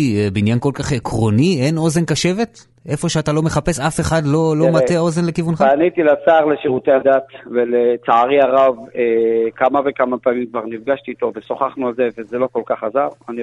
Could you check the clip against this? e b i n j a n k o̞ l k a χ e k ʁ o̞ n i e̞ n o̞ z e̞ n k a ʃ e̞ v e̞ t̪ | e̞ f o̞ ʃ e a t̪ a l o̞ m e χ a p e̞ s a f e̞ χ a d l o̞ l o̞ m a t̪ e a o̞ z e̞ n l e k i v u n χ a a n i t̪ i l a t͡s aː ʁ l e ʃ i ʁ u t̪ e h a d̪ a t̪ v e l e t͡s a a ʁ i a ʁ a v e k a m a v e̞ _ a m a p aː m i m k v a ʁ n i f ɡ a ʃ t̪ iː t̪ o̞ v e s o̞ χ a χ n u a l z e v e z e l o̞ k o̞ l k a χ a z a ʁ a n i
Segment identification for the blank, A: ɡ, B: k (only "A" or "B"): B